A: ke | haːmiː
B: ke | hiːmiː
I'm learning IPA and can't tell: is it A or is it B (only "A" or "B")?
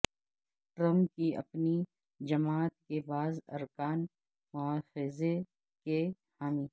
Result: A